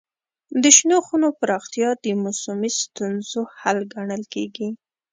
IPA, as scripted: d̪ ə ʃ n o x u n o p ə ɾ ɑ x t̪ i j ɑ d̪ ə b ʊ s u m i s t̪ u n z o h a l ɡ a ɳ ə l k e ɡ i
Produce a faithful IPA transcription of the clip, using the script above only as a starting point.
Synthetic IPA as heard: d̪ ə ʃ n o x u n o p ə ɾ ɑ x t̪ i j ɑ d̪ ə m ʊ s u m i s t̪ u n z o h a l ɡ a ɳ ə l k e ɡ i

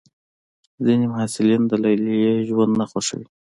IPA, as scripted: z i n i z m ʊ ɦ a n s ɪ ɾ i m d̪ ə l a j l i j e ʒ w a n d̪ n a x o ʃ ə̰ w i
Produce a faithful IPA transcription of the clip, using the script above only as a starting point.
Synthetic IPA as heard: z i n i m ʊ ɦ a s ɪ l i n d̪ ə l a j l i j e ʒ w a n d̪ n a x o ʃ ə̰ w i

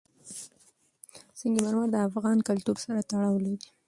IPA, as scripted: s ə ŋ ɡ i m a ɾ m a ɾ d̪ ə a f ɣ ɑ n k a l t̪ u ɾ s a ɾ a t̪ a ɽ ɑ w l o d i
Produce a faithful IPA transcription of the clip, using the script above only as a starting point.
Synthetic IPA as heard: s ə ŋ ɡ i m a ɾ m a ɾ d̪ ə a f ɣ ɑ n k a l t̪ u ɾ s a ɾ a t̪ a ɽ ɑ w l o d i

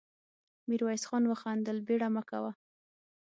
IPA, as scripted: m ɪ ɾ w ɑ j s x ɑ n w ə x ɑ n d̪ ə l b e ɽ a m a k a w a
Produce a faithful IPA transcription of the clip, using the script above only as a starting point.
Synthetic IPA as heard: m i ɾ w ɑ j s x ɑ n w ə x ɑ n d̪ ə l b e ɽ a m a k a w a

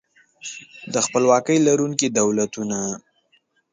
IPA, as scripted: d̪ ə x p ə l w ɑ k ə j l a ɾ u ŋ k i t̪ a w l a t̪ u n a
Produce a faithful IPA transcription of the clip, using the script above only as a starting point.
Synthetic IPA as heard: d̪ ə x p ə l w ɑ k ə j l a ɾ u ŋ k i d̪ a w l a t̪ u n a

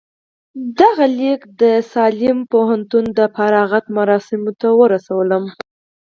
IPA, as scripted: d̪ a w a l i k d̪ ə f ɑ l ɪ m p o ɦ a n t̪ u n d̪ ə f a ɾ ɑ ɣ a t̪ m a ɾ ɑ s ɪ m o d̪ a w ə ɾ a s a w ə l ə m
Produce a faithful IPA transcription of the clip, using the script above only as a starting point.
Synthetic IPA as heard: d̪ a ɣ a l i k d̪ ə s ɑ l ɪ m p o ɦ a n t̪ u n d̪ ə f a ɾ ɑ ɣ a t̪ m a ɾ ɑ s ɪ m o t̪ a w ə ɾ a s a w ə l ə m

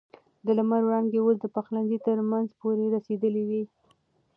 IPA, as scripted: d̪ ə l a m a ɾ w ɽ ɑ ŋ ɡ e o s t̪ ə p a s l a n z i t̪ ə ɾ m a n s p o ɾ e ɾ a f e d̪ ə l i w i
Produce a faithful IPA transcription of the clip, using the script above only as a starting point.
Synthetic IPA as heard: d̪ ə l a m a ɾ w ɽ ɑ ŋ ɡ e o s d̪ ə p a x l a n z i t̪ ə ɾ m a n z p o ɾ e ɾ a s e d̪ ə l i w i

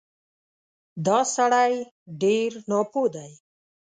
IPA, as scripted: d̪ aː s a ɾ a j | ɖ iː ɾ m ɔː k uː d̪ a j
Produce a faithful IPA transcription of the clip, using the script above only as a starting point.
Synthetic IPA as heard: d̪ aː s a ɽ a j | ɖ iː ɾ n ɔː p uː d̪ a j

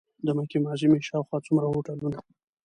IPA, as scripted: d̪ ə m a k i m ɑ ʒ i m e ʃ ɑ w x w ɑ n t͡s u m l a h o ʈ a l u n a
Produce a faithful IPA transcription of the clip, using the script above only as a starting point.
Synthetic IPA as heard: d̪ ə m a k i m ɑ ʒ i m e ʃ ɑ w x w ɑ t͡s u m ɾ a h o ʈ a l u n a

